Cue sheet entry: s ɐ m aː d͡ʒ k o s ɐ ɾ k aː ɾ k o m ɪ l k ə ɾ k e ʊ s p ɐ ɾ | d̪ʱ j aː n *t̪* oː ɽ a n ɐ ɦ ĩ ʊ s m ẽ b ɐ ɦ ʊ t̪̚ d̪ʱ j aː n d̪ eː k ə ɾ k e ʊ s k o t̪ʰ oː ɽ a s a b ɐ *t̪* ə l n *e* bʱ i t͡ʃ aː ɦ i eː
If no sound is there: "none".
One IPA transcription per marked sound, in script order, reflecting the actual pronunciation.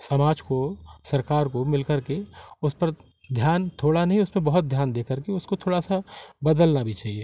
t̪ʰ, d̪, a

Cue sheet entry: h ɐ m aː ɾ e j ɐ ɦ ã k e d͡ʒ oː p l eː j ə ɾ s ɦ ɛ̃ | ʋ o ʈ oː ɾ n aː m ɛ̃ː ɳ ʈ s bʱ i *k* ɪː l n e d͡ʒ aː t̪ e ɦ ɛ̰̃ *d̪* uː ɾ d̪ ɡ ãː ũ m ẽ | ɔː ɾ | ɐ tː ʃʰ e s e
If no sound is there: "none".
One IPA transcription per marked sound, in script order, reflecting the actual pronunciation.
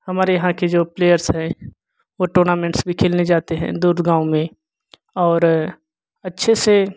kʰ, d̪

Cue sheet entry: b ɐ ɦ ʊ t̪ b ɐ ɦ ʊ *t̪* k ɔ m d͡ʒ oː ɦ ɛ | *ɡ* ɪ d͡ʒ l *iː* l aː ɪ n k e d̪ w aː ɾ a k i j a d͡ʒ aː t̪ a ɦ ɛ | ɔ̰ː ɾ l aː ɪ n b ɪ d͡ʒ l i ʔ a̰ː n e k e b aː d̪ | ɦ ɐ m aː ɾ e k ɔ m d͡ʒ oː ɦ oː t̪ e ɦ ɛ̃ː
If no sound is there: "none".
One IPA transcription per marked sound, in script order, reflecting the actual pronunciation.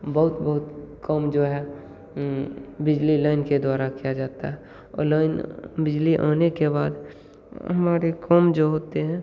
t̪, b, i

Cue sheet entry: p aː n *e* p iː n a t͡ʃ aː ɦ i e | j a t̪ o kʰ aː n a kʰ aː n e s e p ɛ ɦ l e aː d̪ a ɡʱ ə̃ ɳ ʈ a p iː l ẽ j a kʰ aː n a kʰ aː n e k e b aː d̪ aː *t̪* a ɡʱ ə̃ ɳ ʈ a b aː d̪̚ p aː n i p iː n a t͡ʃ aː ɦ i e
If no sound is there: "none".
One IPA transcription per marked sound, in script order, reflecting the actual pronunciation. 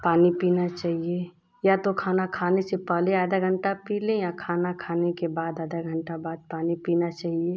i, d̪

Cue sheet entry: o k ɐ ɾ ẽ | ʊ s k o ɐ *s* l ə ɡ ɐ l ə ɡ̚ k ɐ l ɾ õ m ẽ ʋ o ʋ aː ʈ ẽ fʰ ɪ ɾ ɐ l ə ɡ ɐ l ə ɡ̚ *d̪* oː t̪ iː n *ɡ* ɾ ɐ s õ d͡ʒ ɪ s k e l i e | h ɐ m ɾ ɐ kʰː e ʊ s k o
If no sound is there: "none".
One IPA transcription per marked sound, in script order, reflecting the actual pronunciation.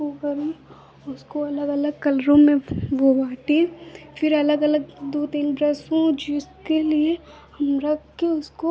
none, d̪, b

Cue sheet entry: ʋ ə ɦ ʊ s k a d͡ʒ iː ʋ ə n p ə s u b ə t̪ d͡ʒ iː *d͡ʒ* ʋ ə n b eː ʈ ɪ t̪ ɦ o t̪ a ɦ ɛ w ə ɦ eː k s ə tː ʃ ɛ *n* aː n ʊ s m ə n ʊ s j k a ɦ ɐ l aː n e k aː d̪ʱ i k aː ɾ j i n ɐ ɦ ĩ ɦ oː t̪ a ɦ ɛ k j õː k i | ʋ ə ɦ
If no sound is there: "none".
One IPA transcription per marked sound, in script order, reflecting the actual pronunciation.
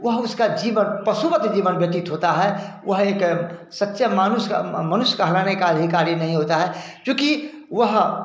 none, m

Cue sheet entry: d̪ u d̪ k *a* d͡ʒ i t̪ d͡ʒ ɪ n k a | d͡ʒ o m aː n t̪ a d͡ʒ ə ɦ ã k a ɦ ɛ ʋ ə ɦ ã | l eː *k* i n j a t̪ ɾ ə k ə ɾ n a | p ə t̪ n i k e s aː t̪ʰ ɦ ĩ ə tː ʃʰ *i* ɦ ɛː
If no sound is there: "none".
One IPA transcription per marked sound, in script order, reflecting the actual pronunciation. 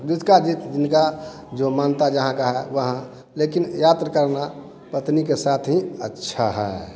a, k, a

